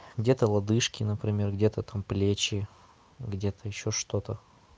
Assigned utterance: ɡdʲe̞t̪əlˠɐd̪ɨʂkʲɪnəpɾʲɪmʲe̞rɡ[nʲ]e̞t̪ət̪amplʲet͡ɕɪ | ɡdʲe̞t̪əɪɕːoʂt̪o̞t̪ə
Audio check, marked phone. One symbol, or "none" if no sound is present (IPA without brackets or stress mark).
dʲ